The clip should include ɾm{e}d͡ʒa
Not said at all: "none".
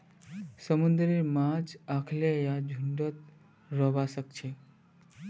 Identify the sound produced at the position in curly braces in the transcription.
a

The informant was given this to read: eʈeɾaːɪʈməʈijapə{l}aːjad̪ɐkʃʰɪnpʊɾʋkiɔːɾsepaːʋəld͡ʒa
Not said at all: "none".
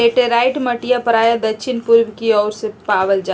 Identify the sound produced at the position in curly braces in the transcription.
ɾ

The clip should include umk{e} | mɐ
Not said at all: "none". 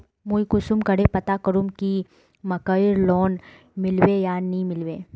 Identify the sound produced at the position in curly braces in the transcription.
i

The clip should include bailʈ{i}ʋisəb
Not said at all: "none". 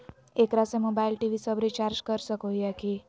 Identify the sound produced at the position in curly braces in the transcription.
i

